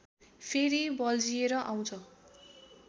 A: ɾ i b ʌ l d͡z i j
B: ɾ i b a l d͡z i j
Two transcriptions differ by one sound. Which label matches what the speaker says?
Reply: A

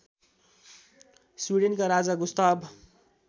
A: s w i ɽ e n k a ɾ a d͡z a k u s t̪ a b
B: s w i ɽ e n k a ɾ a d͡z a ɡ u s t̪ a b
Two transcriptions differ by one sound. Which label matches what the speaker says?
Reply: B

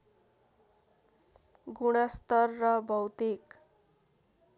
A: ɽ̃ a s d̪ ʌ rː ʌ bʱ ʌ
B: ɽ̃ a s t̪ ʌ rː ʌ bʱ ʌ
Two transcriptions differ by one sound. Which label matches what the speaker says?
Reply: B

